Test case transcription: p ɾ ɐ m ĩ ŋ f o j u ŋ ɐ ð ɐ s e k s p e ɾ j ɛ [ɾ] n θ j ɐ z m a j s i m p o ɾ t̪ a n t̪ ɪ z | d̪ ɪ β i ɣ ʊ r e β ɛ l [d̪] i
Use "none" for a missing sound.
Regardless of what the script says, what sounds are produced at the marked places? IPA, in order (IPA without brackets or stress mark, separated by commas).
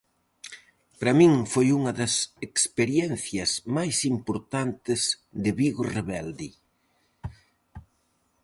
none, d̪